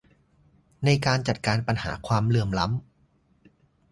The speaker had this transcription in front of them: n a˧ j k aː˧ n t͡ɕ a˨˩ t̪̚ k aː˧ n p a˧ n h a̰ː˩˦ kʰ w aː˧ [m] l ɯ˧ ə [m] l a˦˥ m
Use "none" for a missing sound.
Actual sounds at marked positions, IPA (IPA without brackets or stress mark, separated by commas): m, m